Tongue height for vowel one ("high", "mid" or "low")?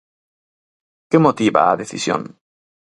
mid